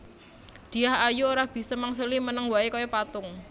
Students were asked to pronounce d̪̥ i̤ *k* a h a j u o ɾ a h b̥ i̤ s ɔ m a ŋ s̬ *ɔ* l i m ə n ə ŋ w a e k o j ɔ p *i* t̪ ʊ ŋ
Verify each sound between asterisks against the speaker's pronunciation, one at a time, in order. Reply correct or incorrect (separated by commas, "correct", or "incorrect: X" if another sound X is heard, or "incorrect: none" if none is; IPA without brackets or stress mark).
incorrect: none, incorrect: u, incorrect: a